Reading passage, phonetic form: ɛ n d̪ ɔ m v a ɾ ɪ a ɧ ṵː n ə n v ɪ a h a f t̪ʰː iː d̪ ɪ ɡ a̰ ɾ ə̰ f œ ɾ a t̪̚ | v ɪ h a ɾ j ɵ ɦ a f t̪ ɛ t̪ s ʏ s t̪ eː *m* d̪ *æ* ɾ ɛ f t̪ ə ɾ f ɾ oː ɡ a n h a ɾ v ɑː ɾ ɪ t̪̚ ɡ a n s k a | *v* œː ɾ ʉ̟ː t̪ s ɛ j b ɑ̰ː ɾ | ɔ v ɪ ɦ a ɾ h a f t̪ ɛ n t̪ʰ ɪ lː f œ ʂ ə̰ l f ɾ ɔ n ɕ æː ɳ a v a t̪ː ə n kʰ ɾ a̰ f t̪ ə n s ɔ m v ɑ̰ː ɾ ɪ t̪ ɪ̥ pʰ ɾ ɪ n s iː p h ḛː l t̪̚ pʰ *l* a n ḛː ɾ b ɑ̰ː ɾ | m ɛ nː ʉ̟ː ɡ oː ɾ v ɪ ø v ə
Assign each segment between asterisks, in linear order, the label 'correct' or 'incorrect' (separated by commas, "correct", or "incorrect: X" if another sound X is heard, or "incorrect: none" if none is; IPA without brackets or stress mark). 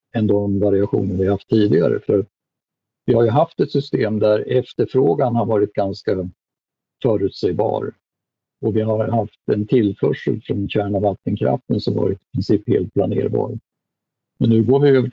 correct, correct, incorrect: f, correct